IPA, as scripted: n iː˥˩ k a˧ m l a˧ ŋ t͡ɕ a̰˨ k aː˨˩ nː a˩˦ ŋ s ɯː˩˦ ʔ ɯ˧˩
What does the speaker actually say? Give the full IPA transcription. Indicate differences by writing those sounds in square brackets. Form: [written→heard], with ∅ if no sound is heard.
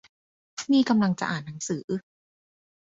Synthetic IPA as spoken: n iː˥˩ k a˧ m l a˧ ŋ t͡ɕ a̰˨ [k→ʔ] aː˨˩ nː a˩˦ ŋ s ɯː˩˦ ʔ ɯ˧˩